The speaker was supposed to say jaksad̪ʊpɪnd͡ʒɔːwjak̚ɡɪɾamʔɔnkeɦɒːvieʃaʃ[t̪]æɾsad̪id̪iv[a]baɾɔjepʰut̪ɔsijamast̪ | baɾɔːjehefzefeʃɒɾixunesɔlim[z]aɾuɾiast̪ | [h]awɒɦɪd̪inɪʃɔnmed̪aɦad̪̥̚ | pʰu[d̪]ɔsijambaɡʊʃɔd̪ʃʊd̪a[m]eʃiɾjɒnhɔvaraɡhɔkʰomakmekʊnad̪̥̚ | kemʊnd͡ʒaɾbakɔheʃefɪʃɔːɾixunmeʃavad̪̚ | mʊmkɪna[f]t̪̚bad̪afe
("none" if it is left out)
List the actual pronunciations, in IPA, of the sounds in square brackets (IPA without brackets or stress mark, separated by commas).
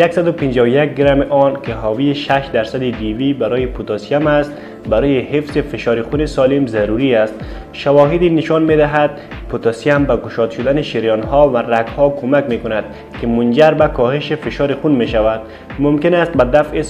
d̪, i, z, ʃ, t̪, n, s